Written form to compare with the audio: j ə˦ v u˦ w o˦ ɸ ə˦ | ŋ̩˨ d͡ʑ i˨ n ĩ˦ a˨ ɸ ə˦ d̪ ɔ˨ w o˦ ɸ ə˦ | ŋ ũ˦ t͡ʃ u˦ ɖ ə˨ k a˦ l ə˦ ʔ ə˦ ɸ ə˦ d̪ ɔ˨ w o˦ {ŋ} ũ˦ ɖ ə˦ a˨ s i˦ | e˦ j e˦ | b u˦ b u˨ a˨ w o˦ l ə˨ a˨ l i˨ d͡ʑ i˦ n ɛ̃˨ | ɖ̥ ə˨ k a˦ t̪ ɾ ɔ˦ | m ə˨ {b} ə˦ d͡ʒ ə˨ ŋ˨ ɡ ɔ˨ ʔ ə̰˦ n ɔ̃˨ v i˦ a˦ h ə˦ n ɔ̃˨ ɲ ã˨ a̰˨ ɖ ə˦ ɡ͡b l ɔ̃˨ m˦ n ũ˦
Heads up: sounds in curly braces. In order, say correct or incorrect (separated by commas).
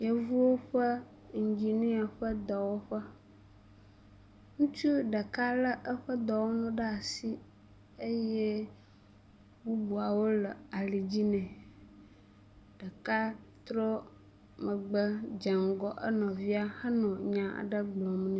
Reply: incorrect, incorrect